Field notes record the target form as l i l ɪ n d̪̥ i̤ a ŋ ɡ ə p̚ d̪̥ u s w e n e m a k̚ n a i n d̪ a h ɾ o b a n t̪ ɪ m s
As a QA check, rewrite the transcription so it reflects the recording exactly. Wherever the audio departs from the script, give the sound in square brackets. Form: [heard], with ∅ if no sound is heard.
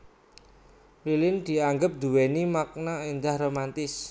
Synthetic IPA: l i l ɪ n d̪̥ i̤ a ŋ ɡ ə p̚ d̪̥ u [∅] w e n [i] m a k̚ n a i n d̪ a h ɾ o [m] a n t̪ ɪ [∅] s